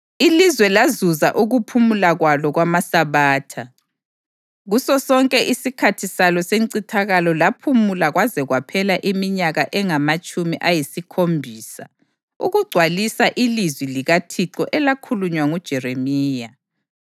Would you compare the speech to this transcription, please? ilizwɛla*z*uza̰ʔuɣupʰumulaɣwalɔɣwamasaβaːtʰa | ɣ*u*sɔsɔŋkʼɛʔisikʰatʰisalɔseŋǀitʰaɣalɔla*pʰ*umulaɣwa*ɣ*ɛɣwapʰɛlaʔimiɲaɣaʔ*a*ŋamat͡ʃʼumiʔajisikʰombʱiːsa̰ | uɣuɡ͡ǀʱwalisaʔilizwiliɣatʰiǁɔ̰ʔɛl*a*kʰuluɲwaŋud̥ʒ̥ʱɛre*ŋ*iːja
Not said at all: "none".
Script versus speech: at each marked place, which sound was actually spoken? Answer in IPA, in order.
z, u, pʰ, z, ɛ, a, m

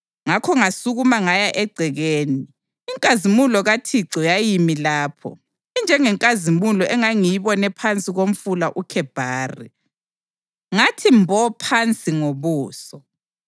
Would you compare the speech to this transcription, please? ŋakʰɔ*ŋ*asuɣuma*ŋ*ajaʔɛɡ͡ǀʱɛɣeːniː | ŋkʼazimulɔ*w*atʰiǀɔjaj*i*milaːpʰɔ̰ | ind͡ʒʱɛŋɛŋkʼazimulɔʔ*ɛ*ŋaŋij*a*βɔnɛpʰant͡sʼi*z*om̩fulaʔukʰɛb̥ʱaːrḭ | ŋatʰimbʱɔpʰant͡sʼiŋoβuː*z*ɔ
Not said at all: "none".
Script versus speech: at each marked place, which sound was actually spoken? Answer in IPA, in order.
ŋ, ŋ, ɣ, i, ɛ, i, ɣ, s

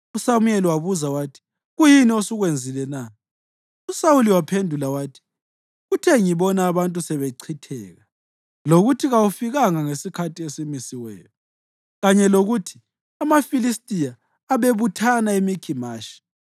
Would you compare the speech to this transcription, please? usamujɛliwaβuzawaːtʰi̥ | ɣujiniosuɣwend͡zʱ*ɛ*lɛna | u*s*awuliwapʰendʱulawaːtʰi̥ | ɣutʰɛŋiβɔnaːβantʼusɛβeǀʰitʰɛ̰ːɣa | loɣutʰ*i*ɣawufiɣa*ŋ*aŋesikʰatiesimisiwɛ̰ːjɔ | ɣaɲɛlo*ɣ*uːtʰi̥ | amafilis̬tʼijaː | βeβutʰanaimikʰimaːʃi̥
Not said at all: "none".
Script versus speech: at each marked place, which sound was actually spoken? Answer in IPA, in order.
i, s, i, ŋ, ɣ

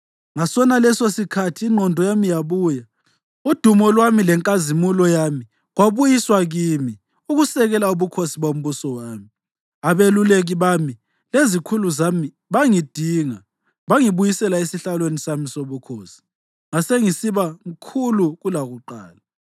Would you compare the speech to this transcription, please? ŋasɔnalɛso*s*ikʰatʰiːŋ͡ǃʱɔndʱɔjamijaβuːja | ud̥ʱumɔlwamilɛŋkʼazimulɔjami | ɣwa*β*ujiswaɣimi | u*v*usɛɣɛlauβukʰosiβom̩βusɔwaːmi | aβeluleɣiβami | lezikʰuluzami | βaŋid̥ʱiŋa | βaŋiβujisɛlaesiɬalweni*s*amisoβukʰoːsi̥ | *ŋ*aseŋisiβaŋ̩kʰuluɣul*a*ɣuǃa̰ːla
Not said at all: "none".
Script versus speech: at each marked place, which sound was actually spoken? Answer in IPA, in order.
s, β, ɣ, s, ŋ, a

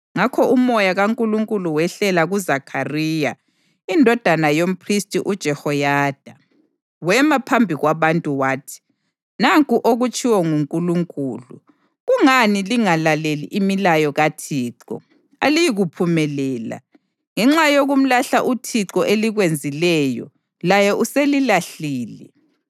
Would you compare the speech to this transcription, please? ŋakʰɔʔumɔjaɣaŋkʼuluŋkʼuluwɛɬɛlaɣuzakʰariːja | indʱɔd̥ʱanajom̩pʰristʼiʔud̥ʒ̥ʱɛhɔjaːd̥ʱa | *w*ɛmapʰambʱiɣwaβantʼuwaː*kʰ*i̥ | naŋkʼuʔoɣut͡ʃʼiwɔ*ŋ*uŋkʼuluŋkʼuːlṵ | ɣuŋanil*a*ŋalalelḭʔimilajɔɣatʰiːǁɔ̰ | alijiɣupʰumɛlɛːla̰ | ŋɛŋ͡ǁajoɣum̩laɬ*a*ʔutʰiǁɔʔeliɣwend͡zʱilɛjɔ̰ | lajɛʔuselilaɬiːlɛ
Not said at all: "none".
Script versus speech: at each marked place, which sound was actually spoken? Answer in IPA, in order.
w, tʰ, ŋ, i, a

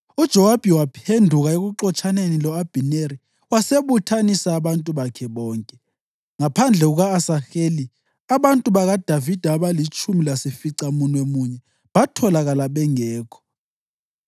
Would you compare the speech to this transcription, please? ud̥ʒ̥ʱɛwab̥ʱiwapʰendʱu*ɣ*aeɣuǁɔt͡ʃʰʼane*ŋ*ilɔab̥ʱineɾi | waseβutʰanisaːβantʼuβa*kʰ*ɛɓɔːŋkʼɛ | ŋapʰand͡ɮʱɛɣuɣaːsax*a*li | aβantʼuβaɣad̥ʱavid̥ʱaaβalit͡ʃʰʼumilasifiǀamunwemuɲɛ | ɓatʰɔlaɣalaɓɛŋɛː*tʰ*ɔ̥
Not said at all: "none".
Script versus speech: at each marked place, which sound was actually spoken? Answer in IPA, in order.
ɣ, n, kʰ, e, kʰ

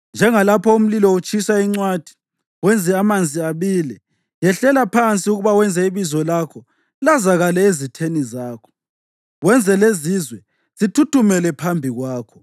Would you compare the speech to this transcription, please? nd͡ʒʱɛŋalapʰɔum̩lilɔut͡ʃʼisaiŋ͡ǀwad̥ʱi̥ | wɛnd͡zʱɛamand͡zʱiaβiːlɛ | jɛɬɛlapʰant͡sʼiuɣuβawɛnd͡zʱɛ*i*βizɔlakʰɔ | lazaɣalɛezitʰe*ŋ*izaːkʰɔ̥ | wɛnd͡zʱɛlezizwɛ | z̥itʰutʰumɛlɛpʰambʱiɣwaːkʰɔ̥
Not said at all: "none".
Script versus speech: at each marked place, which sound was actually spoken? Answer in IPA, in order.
i, n

